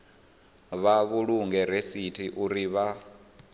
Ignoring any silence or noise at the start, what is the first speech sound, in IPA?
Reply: β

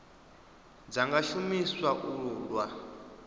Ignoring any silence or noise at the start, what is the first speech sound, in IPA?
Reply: d͡z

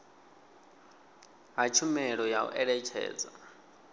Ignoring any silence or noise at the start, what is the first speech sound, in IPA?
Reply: ɦ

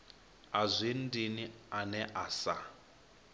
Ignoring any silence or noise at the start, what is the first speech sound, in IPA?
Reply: a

